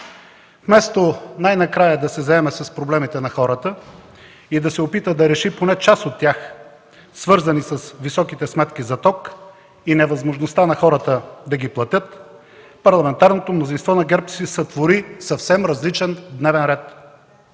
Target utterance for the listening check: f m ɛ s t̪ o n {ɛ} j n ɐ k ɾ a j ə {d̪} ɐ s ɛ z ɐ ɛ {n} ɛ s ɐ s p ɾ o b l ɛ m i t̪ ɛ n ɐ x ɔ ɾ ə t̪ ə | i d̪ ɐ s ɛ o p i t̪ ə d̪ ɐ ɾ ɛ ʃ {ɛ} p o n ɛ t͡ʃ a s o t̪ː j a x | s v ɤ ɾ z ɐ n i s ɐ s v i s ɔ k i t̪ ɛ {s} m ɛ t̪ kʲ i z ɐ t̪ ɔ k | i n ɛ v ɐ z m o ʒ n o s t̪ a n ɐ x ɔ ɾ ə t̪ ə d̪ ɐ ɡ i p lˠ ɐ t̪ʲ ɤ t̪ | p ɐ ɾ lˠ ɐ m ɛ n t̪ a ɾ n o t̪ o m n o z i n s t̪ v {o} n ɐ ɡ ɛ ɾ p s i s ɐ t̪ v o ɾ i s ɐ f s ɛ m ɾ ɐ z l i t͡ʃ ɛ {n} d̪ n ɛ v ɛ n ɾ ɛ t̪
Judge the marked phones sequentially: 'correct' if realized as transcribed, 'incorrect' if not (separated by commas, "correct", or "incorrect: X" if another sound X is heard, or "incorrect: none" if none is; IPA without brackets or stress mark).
incorrect: a, correct, incorrect: m, incorrect: i, correct, incorrect: ɔ, correct